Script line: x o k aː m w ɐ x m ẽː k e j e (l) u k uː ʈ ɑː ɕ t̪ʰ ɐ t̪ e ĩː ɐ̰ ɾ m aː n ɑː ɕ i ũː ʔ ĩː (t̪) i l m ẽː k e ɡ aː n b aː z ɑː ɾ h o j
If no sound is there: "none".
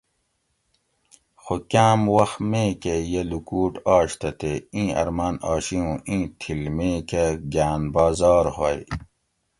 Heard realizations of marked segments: l, t̪ʰ

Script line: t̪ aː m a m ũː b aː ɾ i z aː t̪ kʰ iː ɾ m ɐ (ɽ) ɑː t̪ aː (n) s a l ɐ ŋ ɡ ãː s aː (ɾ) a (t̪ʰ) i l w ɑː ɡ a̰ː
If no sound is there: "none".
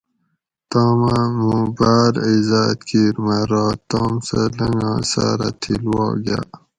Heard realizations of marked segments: ɾ, m, ɾ, t̪ʰ

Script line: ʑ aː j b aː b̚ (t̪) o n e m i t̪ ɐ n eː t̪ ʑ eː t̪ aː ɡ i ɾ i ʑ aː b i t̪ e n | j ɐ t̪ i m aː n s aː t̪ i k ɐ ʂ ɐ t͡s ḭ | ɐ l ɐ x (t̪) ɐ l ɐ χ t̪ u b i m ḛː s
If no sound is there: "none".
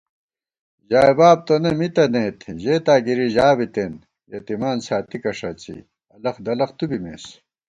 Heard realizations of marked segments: t̪, d̪

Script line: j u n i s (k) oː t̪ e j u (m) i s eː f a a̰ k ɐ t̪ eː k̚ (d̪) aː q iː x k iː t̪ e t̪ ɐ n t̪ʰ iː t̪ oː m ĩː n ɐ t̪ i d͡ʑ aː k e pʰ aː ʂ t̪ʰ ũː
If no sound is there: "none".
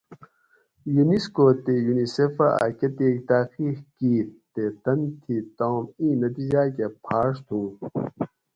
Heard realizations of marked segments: k, n, t̪

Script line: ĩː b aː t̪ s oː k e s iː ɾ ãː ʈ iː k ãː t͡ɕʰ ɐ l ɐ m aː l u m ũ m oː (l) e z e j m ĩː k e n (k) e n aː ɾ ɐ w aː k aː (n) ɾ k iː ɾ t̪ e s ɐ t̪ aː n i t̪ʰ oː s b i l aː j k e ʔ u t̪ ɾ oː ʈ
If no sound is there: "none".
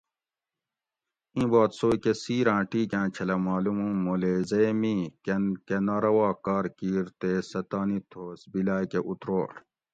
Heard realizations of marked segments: l, k, none

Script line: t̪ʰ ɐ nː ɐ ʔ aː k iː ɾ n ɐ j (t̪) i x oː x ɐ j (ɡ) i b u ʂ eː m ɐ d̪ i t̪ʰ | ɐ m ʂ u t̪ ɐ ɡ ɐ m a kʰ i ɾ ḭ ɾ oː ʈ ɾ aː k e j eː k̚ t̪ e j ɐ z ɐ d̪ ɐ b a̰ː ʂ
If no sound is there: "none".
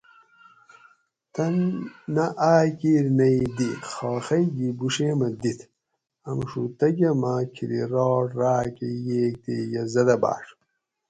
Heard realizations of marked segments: d̪, ɡ

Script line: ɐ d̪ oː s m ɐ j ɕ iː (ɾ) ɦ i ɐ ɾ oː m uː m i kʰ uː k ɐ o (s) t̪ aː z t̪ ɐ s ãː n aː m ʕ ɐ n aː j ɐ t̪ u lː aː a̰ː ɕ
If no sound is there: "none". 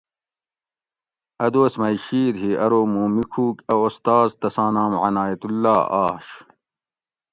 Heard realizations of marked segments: ɾ, s

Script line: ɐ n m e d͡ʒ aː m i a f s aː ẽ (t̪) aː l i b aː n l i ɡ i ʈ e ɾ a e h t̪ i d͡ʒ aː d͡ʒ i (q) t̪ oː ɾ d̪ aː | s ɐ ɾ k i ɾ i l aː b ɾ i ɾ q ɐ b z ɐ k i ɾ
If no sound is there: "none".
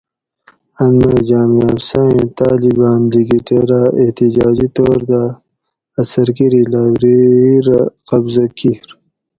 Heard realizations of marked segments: t̪, none

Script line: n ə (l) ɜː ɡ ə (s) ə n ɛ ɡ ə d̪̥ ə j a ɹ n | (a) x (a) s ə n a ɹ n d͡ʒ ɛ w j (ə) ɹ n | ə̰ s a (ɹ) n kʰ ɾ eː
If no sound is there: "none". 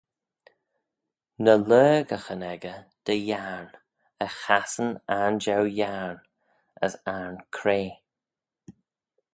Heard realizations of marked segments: l, x, ə, a, a, ɹ

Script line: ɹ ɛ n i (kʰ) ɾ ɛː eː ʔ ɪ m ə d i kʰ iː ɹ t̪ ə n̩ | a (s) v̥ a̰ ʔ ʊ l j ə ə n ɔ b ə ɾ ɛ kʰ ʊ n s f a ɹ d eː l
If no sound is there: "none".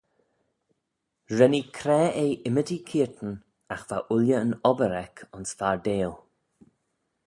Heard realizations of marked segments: kʰ, x

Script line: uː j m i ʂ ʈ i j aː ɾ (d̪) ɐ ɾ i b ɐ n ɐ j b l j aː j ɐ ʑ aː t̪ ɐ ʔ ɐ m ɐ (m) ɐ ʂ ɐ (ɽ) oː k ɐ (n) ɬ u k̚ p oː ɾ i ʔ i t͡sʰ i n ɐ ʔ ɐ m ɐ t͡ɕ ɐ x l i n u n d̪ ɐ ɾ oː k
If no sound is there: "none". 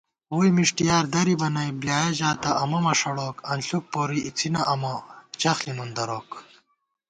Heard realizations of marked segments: d̪, m, ɽ, n

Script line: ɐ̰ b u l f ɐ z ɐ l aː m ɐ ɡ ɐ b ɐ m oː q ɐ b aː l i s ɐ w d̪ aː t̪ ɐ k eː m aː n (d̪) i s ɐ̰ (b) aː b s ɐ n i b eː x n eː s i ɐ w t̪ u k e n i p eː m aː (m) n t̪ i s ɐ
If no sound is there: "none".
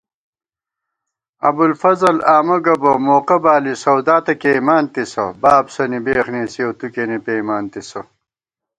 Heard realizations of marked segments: t̪, b, none

